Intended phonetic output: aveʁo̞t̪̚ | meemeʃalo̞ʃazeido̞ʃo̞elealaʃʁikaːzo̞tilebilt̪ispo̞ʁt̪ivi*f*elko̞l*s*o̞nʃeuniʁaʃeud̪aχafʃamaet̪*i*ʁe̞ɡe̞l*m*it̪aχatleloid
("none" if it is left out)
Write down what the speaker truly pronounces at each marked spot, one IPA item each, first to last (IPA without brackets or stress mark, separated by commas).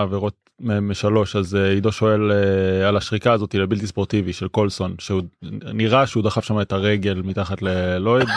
ʃ, s, a, m